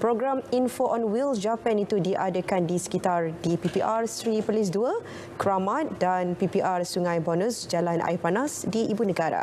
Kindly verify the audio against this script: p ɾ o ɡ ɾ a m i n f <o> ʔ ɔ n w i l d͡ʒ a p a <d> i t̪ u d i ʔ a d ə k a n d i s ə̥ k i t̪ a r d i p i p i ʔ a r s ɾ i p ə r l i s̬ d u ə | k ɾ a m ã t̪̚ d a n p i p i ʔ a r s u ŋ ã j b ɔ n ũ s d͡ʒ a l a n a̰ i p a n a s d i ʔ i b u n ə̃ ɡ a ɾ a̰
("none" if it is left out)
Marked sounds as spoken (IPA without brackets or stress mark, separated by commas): o, n